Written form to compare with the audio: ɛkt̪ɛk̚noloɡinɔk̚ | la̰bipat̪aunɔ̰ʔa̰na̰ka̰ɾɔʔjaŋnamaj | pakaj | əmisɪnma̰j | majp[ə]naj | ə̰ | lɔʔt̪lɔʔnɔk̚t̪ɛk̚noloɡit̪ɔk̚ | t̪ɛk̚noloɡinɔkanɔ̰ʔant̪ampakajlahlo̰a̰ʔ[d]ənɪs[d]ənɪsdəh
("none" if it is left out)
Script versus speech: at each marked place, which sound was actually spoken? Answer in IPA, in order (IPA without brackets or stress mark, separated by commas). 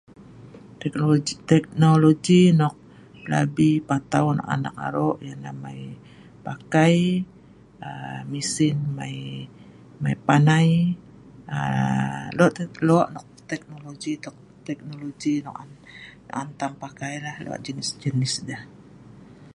a, d͡ʒ, d͡ʒ